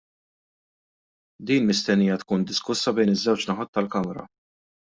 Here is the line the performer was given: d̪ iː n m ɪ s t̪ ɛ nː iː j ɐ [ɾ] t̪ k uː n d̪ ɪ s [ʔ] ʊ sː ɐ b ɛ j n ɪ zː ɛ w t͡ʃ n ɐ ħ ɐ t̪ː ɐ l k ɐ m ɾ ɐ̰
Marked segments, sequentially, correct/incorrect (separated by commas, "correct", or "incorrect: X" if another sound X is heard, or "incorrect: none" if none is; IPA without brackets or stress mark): incorrect: none, incorrect: k